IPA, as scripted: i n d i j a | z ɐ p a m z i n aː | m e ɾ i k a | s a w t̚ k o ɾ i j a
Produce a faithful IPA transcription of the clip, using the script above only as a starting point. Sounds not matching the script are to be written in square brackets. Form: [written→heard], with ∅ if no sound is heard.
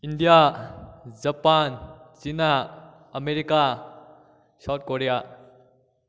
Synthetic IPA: i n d i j a | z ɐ p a [m→n] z i n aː | m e ɾ i k a | s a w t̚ k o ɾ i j a